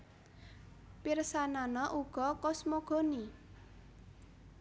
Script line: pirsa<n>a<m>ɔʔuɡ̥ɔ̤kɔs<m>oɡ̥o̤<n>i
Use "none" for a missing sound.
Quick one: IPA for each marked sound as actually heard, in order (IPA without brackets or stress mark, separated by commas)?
n, n, m, n